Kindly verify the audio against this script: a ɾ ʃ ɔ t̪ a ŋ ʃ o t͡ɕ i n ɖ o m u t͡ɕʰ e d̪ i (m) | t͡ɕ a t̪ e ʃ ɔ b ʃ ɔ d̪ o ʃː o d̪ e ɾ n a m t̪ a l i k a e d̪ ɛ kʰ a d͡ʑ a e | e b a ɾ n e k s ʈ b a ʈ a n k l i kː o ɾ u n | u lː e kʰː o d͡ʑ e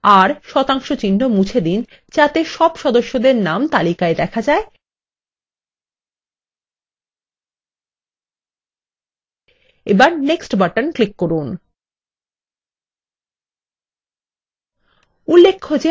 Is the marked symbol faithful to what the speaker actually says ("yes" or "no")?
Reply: no